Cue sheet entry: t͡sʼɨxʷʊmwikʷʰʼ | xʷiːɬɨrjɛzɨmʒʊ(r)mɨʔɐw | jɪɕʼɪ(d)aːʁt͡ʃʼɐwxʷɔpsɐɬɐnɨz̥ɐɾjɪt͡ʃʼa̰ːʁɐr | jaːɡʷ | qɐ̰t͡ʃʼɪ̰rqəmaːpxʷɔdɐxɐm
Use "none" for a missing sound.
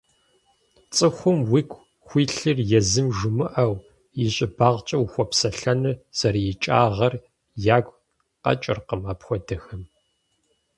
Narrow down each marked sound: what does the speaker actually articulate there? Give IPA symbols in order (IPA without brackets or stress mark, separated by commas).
none, b